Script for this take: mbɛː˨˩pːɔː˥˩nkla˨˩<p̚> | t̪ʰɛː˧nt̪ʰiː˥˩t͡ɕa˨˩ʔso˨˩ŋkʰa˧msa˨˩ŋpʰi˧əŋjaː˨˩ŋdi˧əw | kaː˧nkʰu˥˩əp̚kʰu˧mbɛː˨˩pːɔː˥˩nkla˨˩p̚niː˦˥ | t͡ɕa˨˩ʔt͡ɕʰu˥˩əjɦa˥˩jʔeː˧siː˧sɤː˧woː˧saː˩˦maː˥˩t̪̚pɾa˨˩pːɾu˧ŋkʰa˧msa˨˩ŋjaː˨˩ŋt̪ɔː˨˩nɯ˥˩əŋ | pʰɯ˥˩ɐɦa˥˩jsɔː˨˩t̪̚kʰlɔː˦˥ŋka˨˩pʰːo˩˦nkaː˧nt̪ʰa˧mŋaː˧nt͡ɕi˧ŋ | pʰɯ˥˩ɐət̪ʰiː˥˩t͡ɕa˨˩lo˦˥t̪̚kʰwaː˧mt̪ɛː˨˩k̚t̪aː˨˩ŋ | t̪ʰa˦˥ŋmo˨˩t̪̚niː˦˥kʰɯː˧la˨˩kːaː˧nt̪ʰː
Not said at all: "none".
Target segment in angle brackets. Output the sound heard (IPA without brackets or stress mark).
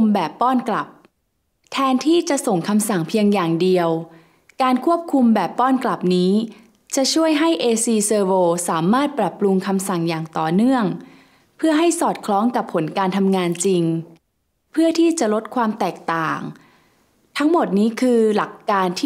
p̚